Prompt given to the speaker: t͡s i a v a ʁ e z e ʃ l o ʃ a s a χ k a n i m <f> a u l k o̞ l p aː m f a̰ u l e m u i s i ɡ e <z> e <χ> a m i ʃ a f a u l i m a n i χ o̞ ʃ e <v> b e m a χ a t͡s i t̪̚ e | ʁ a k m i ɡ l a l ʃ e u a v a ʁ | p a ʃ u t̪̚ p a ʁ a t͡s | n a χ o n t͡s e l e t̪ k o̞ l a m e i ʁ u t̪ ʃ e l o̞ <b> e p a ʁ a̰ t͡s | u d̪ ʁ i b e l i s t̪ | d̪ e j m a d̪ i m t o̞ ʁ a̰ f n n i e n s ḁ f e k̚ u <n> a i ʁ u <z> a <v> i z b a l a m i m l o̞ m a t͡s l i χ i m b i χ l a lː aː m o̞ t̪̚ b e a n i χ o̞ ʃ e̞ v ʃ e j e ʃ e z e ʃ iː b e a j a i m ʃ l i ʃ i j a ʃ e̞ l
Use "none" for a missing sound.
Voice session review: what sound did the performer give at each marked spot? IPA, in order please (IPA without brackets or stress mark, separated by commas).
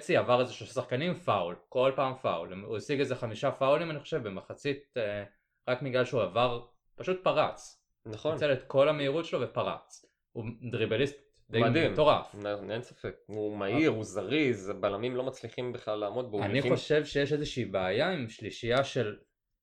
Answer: f, z, χ, v, v, m, z, ʁ